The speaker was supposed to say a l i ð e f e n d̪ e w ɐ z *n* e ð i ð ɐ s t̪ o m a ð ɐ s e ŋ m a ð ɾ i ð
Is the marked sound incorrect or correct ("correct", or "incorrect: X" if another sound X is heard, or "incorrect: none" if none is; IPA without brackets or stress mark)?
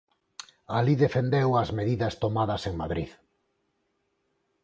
incorrect: m